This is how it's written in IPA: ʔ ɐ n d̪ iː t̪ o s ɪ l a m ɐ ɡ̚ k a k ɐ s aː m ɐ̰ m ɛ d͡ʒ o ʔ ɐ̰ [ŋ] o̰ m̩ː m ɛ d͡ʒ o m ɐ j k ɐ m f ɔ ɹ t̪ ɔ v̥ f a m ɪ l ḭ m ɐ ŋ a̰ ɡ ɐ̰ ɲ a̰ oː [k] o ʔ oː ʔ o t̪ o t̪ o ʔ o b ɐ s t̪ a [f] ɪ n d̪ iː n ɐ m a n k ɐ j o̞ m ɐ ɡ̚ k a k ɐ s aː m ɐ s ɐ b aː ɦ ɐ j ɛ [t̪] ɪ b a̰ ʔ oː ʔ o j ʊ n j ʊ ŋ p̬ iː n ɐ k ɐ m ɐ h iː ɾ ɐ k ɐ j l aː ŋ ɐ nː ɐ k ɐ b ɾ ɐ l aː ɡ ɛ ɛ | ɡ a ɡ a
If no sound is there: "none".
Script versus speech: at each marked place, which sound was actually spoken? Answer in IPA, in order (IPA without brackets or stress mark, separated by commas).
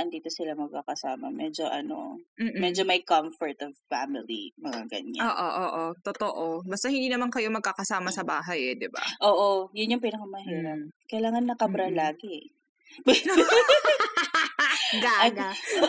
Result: n, ʔ, h, d̪